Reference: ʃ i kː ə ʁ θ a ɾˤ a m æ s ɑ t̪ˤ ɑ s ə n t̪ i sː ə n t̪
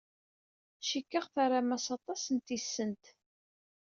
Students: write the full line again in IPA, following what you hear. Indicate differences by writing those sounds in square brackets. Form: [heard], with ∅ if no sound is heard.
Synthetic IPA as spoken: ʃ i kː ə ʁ θ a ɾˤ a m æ s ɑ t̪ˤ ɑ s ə n t̪ i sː ə n t̪

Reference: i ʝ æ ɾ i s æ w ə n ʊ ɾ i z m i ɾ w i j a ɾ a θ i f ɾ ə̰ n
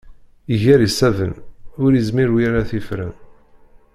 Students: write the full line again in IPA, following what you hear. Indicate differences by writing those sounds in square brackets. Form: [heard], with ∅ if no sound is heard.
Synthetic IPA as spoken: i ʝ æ ɾ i s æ [v] ə n ʊ ɾ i z m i ɾ w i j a ɾ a θ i f ɾ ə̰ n

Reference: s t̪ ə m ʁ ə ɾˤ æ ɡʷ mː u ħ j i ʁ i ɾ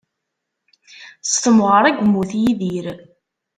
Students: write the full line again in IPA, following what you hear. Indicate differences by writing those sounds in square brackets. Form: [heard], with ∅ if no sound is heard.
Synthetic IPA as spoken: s t̪ ə m ʁ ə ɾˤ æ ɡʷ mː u [θ] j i [ð] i ɾ

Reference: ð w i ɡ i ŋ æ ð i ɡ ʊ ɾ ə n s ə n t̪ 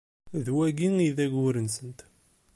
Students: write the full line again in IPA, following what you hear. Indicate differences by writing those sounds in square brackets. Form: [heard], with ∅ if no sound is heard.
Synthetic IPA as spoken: ð w [æ] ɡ i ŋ [i] ð [æ] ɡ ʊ ɾ ə n s ə n t̪

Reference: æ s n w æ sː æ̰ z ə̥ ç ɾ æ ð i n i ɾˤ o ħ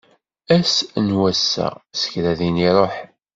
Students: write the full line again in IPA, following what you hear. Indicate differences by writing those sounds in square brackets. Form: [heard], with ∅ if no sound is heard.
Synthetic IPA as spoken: æ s n w æ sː æ̰ [s] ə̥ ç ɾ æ ð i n i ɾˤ o ħ

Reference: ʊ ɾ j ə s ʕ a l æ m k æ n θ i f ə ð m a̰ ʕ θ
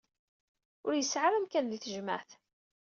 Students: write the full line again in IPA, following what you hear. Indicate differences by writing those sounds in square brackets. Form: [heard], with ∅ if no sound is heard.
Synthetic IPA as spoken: ʊ ɾ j ə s ʕ a [ɾ] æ m k æ n [ð] i [θ] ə [ʒ] m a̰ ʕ θ

